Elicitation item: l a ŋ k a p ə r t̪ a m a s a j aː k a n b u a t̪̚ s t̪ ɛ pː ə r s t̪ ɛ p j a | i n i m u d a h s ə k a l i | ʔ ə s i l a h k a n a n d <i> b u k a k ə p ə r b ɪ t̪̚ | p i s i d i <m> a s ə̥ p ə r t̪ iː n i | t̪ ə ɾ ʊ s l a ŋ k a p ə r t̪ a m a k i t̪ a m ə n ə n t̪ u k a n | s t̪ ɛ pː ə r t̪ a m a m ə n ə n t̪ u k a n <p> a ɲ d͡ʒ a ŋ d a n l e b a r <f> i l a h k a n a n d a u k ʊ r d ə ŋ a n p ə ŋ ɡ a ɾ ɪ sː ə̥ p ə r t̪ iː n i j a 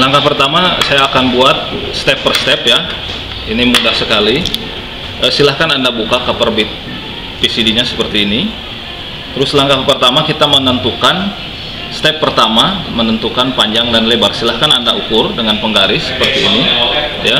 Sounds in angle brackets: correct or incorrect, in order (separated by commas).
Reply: incorrect, incorrect, correct, incorrect